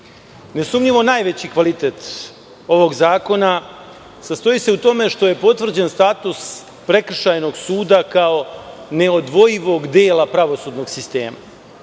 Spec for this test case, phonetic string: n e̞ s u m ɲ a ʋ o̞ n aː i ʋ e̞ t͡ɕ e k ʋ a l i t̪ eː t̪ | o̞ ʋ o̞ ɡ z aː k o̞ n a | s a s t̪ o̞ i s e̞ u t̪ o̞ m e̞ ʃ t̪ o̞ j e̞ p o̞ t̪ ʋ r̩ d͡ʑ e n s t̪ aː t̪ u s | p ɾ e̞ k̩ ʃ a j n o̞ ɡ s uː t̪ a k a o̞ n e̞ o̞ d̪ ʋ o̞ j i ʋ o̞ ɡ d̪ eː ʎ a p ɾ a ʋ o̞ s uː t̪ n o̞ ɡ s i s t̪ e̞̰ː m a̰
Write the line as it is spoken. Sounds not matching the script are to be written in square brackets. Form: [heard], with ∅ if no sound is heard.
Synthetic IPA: n e̞ s u m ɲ [i] ʋ o̞ n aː [j] ʋ e̞ t͡ɕ [i] k ʋ a l i t̪ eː t̪ | o̞ ʋ o̞ ɡ z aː k o̞ n a | s a s t̪ o̞ i s e̞ u t̪ o̞ m e̞ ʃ t̪ o̞ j e̞ p o̞ t̪ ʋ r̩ d͡ʑ e n s t̪ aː t̪ u s | p ɾ e̞ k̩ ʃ a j n o̞ ɡ s uː [d̪] a k a o̞ n e̞ o̞ d̪ ʋ o̞ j i ʋ o̞ ɡ d̪ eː [l] a p ɾ a ʋ o̞ s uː [d̪] n o̞ ɡ s i s t̪ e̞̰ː m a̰